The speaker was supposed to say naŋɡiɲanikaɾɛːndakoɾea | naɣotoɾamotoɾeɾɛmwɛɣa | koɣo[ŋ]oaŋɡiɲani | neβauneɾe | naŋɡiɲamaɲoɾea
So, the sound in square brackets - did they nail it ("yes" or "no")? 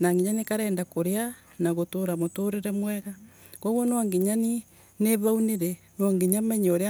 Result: no